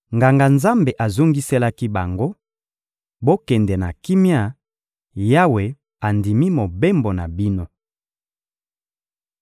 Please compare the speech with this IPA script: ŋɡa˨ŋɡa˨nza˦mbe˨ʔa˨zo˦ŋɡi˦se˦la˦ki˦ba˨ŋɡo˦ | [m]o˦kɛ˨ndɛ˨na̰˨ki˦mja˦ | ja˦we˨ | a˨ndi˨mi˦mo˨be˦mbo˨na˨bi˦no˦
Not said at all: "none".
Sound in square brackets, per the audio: b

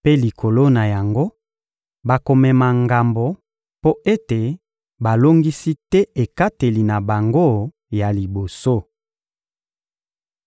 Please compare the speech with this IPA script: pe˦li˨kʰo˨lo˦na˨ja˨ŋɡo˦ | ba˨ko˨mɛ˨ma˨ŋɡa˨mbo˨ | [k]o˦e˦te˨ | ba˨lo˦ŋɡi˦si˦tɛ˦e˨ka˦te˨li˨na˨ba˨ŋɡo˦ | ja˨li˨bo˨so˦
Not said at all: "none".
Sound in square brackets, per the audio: p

